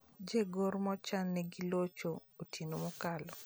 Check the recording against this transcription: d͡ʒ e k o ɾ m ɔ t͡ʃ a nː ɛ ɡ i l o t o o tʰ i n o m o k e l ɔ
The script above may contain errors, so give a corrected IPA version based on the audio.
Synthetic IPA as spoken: d͡ʒ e ɡ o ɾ m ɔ t͡ʃ a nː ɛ ɡ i l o t͡ʃ o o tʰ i n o m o k a l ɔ